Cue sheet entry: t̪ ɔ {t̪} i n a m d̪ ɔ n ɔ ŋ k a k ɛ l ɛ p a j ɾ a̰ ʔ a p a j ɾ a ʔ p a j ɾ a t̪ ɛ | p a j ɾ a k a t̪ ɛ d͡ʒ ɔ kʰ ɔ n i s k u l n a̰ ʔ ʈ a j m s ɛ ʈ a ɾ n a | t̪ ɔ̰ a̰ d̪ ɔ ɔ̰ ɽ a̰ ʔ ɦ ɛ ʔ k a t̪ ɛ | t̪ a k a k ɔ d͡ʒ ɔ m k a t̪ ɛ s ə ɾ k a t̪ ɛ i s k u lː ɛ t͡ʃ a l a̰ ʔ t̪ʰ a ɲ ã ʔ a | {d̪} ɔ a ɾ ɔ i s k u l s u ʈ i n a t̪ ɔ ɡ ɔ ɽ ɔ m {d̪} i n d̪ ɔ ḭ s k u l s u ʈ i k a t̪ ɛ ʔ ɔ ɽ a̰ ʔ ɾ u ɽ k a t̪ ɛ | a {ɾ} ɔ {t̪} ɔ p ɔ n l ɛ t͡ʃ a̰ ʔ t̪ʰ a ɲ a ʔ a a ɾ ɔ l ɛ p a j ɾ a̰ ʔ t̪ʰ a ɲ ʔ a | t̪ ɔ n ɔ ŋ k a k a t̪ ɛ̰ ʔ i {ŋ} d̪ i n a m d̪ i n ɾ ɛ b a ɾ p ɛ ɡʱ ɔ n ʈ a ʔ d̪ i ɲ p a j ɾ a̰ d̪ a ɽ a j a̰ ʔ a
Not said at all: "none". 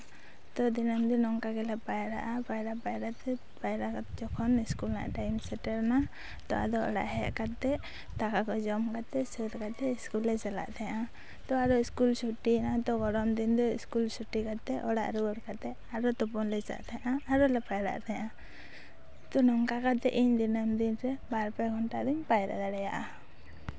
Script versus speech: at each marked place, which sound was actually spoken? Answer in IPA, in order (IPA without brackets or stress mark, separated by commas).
d̪, t̪, d̪, ɾ, t̪, ɲ